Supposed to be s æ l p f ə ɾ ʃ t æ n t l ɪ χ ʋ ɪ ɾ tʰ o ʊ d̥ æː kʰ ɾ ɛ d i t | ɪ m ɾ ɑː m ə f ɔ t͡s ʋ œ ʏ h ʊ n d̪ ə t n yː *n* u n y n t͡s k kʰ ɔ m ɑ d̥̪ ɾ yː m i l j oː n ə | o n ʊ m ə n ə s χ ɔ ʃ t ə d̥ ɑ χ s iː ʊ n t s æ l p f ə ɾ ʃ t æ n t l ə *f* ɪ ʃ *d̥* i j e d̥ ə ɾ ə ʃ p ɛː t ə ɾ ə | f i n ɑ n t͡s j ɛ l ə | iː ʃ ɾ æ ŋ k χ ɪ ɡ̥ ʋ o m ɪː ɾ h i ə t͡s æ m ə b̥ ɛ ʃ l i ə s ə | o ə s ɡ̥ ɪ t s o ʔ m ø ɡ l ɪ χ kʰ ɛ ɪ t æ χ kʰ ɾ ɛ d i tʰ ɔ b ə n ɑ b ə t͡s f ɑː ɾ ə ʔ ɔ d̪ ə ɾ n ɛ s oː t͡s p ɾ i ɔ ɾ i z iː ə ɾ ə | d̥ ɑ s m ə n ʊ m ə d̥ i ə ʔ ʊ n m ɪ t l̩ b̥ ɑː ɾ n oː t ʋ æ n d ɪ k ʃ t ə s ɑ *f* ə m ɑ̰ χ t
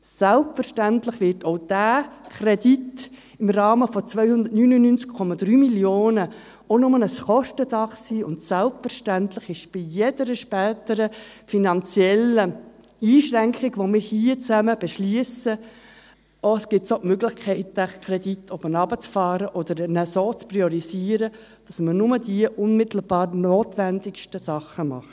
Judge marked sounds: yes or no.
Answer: yes, no, no, no

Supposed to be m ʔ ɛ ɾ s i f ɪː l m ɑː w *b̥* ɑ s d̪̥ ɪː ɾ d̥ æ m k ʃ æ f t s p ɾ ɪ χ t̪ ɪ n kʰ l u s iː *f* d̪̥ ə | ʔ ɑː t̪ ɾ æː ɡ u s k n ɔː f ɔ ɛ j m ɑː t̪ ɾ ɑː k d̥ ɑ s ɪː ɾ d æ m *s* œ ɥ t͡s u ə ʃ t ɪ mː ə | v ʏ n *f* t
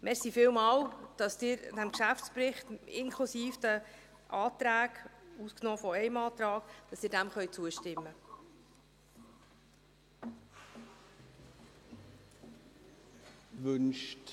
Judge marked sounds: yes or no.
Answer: no, yes, no, no

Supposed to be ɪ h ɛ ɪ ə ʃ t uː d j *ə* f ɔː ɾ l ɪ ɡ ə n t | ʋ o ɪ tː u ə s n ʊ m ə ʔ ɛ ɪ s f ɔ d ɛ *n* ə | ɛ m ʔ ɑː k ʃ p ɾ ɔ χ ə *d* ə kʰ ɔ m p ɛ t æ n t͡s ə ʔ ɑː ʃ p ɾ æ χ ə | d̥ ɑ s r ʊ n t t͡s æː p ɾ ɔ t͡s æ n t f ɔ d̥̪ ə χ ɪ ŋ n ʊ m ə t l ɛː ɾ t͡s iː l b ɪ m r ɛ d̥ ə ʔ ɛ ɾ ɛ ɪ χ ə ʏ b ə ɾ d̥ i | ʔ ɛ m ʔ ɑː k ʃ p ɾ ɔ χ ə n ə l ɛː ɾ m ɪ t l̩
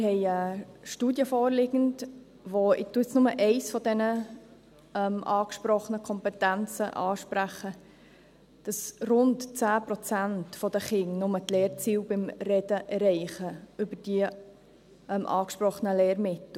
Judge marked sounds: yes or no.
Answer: yes, yes, no

